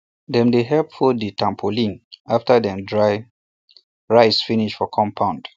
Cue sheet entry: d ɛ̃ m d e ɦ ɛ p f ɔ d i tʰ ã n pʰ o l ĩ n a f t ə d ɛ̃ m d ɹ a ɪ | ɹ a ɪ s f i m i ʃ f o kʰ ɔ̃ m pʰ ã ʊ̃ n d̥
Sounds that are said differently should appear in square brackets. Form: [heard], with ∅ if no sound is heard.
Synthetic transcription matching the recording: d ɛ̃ m d e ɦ ɛ p f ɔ d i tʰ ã [m] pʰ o l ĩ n a f t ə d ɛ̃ m d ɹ a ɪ | ɹ a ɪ s f i [n] i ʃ f [ɔ] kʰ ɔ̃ m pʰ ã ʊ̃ n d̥